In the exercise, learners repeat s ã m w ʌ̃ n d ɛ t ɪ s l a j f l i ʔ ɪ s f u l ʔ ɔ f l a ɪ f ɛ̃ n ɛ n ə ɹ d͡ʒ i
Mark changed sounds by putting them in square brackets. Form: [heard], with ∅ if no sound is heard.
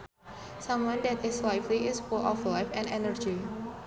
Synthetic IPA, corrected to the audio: s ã m w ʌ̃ n d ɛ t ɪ s l a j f l i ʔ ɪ s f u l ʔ ɔ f l a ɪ f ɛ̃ n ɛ n ə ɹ d͡ʒ i

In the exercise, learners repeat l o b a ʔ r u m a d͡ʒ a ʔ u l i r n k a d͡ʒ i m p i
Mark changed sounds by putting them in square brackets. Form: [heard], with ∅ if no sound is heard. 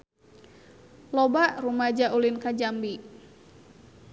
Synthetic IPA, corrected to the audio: l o b a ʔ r u m a d͡ʒ a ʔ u l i [∅] n k a d͡ʒ [a] m [b] i

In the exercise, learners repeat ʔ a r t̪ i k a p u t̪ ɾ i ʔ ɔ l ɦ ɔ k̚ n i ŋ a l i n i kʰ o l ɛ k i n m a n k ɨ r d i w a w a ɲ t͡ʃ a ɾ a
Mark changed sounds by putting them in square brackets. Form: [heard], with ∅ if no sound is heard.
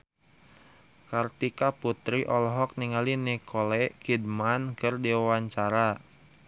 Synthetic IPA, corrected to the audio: [k] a r t̪ i k a p u t̪ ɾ i ʔ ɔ l ɦ ɔ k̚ n i ŋ a l i n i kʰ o l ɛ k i [d] m a n k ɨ r d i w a w a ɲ t͡ʃ a ɾ a

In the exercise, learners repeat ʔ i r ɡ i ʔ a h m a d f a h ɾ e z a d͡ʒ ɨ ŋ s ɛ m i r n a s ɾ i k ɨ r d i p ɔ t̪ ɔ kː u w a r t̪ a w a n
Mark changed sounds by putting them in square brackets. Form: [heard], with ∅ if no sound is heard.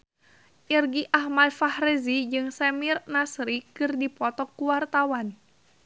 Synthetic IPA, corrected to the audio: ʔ i r ɡ i ʔ a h m a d f a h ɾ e z [i] d͡ʒ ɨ ŋ s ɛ m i r n a s ɾ i k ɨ r d i p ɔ t̪ ɔ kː u w a r t̪ a w a n

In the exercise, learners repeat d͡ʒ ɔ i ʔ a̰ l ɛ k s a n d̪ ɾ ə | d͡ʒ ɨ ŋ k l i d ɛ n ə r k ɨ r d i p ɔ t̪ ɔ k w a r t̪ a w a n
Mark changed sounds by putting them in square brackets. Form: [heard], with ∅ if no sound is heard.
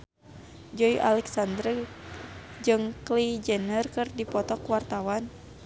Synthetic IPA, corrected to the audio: d͡ʒ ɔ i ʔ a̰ l ɛ k s a n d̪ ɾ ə | d͡ʒ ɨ ŋ k l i [d͡ʒ] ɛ n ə r k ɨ r d i p ɔ t̪ ɔ k w a r t̪ a w a n

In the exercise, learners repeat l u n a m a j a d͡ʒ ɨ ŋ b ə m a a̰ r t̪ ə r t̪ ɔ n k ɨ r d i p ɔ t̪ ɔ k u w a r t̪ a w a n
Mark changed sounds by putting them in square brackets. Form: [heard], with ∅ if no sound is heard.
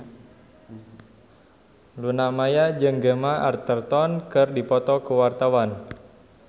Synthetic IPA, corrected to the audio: l u n a m a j a d͡ʒ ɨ ŋ [ɡ] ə m a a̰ r t̪ ə r t̪ ɔ n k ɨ r d i p ɔ t̪ ɔ k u w a r t̪ a w a n

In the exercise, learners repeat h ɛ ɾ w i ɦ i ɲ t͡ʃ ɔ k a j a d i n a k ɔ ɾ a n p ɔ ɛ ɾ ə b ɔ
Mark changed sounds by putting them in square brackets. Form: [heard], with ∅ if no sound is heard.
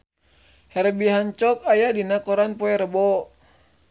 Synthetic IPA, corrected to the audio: h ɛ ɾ [b] i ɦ [a] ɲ t͡ʃ ɔ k a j a d i n a k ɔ ɾ a n p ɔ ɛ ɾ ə b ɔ

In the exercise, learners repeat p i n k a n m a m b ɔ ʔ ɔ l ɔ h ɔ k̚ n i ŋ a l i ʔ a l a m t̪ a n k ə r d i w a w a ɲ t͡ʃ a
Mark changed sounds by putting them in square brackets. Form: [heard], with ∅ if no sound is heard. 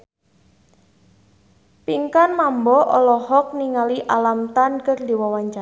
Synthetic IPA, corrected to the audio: p i [ŋ] k a n m a m b ɔ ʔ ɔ l ɔ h ɔ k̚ n i ŋ a l i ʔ a l a m t̪ a n k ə r d i w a w a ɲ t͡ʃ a

